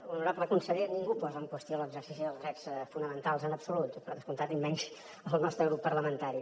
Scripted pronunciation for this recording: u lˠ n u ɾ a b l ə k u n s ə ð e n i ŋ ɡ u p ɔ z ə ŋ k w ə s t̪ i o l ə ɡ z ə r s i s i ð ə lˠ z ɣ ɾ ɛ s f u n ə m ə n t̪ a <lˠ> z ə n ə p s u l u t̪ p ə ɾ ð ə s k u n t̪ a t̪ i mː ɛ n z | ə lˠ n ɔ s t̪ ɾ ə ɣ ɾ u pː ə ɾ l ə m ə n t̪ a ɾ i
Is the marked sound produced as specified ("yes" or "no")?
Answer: yes